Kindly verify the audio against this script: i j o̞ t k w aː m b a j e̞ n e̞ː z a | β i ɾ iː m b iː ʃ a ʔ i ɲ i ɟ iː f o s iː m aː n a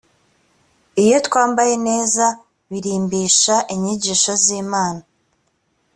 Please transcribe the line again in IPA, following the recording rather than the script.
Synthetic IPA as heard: i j o̞ t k w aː m b a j e̞ n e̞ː z a | β i ɾ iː m b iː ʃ a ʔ i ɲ i ɟ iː ʃ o z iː m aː n a